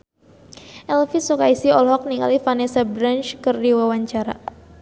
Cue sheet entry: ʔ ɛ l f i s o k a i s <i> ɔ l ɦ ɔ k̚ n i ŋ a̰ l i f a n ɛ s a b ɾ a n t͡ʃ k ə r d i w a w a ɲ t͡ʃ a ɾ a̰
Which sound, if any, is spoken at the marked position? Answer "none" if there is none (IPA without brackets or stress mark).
i